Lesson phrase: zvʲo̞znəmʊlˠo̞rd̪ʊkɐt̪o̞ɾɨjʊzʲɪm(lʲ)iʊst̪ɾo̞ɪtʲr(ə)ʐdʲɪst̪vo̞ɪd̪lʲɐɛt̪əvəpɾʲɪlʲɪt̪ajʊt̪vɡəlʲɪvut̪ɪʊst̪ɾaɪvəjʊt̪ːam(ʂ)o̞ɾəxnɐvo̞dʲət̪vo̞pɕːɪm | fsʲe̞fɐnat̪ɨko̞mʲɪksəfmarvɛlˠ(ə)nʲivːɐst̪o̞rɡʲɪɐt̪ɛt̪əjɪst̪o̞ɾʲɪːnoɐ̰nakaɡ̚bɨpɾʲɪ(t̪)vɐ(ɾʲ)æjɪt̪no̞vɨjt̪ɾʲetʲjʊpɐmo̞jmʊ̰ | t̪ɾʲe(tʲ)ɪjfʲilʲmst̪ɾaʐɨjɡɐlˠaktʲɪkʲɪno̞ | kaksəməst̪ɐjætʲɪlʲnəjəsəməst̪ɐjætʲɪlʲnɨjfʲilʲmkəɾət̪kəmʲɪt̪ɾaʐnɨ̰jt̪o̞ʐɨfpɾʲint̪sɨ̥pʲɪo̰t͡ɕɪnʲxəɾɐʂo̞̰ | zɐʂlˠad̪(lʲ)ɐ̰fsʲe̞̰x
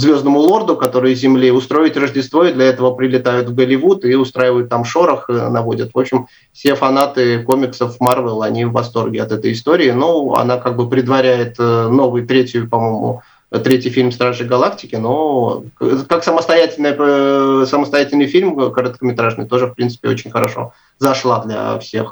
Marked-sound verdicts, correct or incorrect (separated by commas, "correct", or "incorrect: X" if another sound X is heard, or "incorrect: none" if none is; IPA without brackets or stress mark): correct, correct, correct, incorrect: ɐ, incorrect: d̪, correct, correct, correct